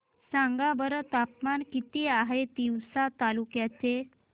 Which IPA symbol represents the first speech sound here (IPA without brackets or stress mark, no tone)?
s